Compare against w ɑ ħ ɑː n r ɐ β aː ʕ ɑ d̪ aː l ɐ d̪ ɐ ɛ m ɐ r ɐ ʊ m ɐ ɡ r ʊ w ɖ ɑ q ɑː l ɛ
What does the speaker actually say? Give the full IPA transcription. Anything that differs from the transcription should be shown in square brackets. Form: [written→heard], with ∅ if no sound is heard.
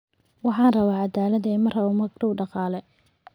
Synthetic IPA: w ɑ ħ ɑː n r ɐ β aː ʕ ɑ d̪ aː l ɐ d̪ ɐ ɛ m ɐ r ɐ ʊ m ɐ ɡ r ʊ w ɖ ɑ q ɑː l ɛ